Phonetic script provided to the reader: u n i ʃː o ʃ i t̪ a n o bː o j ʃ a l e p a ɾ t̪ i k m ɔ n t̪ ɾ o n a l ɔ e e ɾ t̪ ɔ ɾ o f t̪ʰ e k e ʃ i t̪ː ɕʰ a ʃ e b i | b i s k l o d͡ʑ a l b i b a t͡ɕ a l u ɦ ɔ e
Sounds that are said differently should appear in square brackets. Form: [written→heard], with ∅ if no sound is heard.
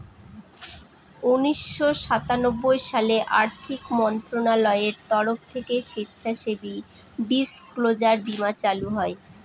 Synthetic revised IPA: u n i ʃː o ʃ [i→a] t̪ a n o bː o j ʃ a l e [p→ʔ] a ɾ [t̪→t̪ʰ] i k m ɔ n t̪ ɾ o n a l ɔ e e ɾ t̪ ɔ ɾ o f t̪ʰ e k e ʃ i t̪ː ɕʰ a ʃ e b i | b i s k l o d͡ʑ a [l→ɾ] b i [b→m] a t͡ɕ a l u ɦ ɔ e

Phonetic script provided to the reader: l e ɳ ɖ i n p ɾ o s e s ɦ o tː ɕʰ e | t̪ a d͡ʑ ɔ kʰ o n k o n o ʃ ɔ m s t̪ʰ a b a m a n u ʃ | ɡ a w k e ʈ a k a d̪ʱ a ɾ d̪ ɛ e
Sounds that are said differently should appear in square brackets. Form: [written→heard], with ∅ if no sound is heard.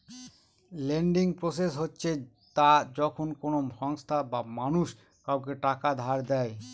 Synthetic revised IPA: l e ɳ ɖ i [n→ŋ] p ɾ o s e s ɦ o tː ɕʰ e | t̪ a d͡ʑ ɔ kʰ o n k o n o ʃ ɔ [m→ŋ] s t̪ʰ a b a m a n u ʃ | [ɡ→k] a w k e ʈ a k a d̪ʱ a ɾ d̪ ɛ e

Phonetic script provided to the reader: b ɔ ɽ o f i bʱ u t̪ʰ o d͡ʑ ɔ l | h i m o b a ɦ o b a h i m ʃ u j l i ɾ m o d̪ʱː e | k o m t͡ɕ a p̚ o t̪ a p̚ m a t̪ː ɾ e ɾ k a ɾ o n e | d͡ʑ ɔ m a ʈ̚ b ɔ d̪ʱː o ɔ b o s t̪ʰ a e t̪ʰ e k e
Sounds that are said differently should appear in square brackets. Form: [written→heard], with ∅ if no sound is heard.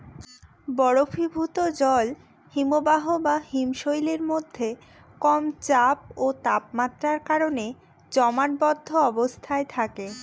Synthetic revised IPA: b ɔ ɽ o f i bʱ u [t̪ʰ→t̪] o d͡ʑ ɔ l | h i m o b a ɦ o b a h i m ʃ [u→o] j l [i→e] ɾ m o d̪ʱː e | k [o→ɔ] m t͡ɕ a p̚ o t̪ a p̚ m a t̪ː ɾ [e→a] ɾ k a ɾ o n e | d͡ʑ ɔ m a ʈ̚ b ɔ d̪ʱː o ɔ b o s t̪ʰ a e t̪ʰ [e→a] k e

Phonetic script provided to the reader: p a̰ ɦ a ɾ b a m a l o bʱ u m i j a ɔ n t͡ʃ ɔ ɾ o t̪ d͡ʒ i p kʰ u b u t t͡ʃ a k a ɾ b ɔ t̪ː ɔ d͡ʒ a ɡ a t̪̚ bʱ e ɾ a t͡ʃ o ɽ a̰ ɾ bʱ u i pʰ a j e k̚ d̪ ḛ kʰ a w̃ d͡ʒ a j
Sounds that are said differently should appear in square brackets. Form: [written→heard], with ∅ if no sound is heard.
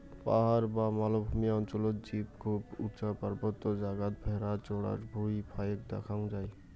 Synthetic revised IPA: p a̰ ɦ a ɾ b a m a l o bʱ u m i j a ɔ n t͡ʃ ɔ [ɾ→l] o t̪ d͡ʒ i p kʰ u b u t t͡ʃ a [k→p] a ɾ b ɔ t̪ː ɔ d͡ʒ a ɡ a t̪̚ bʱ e ɾ a t͡ʃ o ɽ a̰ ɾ bʱ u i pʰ a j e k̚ d̪ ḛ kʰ a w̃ d͡ʒ a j

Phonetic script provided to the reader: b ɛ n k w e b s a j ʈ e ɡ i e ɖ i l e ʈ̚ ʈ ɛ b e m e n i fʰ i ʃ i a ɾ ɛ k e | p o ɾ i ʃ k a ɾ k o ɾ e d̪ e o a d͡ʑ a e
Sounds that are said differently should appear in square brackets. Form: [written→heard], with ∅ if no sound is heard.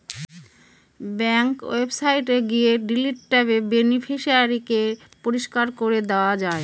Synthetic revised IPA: b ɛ [n→ŋ] k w e b s a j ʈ e ɡ i e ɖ i l [e→i] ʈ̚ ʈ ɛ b e [m→b] e n i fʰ i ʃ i a ɾ [ɛ→i] k e | p o ɾ i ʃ k a ɾ k o ɾ e d̪ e o a d͡ʑ a e

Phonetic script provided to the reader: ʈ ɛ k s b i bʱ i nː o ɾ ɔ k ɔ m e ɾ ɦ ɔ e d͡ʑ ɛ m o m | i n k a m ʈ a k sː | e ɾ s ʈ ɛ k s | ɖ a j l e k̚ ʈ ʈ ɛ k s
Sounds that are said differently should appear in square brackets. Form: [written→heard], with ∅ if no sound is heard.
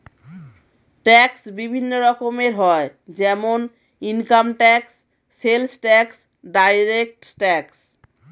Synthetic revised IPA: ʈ ɛ k s b i bʱ i nː o ɾ ɔ k [ɔ→o] m e ɾ ɦ ɔ e d͡ʑ ɛ m o [m→n] | i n k a m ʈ [a→ɛ] k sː | e [ɾ→l] s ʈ ɛ k s | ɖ a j [l→ɾ] e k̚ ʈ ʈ ɛ k s

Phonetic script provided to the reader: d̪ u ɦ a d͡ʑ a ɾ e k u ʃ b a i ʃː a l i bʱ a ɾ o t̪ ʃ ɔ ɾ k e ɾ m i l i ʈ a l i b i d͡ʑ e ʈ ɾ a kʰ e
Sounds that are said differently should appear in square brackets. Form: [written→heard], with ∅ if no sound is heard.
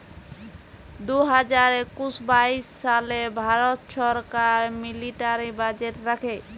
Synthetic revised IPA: d̪ u ɦ a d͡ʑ a ɾ e k u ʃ b a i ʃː a l [i→e] bʱ a ɾ o t̪ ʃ ɔ ɾ k [e→a] ɾ m i l i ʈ a [l→ɾ] i b [i→a] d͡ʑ e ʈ ɾ a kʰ e

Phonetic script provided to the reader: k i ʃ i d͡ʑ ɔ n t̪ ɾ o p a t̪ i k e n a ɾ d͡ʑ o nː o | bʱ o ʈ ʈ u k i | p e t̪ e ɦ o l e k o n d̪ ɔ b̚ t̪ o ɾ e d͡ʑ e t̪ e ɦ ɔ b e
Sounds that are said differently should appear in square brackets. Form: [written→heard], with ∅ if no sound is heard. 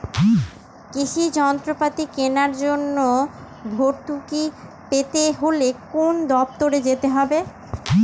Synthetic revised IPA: k i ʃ i d͡ʑ ɔ n t̪ ɾ o p a t̪ i k e n a ɾ d͡ʑ o nː o | bʱ o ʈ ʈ u k i | p e t̪ e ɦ o l e k o n d̪ ɔ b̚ t̪ o ɾ e d͡ʑ e t̪ e ɦ ɔ b e

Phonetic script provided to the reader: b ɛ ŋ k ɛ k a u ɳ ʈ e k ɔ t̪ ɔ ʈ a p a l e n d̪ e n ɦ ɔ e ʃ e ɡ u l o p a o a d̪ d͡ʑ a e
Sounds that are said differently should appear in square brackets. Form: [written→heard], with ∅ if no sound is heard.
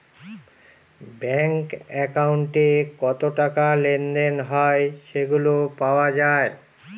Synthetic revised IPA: b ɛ ŋ k ɛ k a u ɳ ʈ e k ɔ t̪ [ɔ→o] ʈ a [p→k] a l e n d̪ e n ɦ ɔ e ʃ e ɡ u l o p a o a [d̪→∅] d͡ʑ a e

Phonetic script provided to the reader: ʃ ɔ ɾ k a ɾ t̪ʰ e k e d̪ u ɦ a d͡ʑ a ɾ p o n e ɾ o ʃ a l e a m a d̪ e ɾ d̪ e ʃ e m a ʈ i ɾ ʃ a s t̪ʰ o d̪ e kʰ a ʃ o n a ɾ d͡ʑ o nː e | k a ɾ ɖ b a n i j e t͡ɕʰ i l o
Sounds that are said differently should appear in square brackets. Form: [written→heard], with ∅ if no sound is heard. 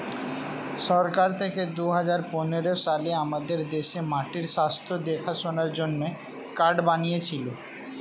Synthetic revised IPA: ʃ ɔ ɾ k a ɾ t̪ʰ e k e d̪ u ɦ a d͡ʑ a ɾ p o n e ɾ o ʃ a l e a m a d̪ e ɾ d̪ e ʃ e m a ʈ i ɾ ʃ a s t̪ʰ o d̪ e kʰ a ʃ o n a ɾ d͡ʑ o nː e | k a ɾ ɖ b a n i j e t͡ɕʰ i l o

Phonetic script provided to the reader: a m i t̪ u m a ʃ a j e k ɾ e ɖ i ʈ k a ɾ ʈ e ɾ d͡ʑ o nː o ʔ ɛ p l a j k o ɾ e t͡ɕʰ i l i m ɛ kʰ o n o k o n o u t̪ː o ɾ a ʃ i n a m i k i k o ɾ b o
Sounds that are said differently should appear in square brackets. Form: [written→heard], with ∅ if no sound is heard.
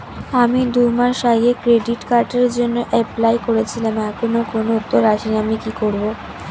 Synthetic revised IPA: a m i [t̪→d̪] u m a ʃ a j e k ɾ e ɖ i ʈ k a ɾ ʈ e ɾ d͡ʑ o nː o ʔ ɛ p l a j k o ɾ e t͡ɕʰ i l [i→a] m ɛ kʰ o n o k o n o u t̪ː o ɾ a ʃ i n a m i k i k o ɾ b o

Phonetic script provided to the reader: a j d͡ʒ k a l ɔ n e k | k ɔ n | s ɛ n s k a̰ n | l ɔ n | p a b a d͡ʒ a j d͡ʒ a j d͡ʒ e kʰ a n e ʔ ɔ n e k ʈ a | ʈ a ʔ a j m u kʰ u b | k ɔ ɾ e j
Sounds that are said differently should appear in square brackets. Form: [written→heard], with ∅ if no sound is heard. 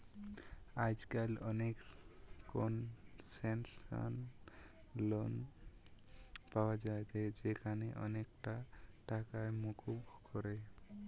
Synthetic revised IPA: a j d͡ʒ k a l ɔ n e k | k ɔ n | s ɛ n s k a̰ n | l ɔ n | p a [b→w] a d͡ʒ a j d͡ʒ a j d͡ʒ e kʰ a n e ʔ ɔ n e k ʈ a | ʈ a [ʔ→k] a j m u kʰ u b | k ɔ ɾ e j

